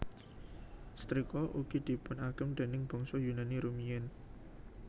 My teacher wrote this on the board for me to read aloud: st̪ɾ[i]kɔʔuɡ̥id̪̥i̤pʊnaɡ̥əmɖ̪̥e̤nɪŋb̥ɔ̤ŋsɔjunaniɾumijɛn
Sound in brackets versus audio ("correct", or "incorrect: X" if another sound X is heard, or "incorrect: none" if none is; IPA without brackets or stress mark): correct